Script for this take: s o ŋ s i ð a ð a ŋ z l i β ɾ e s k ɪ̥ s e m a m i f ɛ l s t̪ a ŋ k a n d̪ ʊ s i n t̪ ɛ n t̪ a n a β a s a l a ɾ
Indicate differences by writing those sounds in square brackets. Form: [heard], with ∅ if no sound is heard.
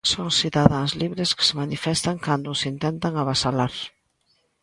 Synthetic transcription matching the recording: s o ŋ s i ð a ð a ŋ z l i β ɾ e s k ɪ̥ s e m a [n] i f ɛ [∅] s t̪ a ŋ k a n d̪ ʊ s i n t̪ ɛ n t̪ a [ŋ] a β a s a l a ɾ